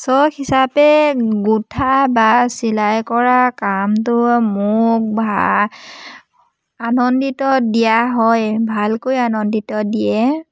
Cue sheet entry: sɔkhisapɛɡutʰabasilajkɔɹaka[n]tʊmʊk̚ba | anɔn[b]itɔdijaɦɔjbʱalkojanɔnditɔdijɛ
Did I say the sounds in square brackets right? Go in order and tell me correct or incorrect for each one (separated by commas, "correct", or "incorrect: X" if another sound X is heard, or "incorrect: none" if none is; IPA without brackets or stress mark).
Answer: incorrect: m, incorrect: d